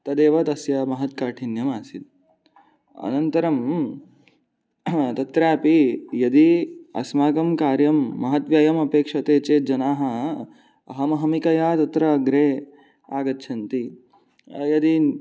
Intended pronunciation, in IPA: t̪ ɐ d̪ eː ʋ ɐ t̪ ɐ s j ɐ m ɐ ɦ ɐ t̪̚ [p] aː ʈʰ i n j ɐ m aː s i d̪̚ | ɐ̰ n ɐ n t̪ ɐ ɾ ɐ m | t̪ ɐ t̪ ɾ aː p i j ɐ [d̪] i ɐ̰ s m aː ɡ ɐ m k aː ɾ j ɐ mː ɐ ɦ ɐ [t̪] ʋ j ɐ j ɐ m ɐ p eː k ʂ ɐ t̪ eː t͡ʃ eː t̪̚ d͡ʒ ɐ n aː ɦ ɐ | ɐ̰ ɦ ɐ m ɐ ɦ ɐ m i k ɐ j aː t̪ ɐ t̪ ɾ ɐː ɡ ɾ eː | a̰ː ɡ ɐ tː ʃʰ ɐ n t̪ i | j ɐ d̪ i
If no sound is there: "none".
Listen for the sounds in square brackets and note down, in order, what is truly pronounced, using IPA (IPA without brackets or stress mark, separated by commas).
k, d̪, t̪